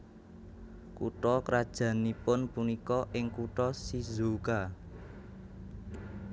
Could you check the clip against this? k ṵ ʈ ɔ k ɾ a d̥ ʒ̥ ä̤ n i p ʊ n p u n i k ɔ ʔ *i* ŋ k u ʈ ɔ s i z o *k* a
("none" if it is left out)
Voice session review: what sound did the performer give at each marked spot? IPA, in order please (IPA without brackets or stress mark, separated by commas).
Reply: ɪ, k